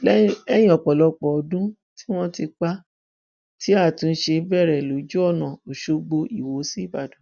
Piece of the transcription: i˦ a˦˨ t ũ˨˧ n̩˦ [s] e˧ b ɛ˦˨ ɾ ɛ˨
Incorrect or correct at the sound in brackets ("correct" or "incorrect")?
incorrect